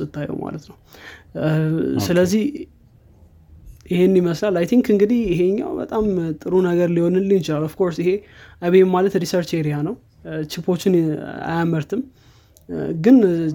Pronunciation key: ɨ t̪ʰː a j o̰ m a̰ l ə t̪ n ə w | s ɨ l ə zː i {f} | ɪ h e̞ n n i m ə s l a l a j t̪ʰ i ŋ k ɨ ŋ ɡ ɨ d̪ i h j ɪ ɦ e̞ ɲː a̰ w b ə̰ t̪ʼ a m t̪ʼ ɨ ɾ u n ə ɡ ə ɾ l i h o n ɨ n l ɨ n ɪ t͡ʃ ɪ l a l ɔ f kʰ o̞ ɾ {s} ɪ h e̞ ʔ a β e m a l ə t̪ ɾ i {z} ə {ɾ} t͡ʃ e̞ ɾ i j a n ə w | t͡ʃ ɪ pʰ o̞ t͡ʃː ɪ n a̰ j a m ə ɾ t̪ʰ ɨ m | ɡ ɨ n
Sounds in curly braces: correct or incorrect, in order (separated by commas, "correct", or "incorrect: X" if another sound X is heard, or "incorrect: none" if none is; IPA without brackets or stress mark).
incorrect: h, correct, incorrect: s, correct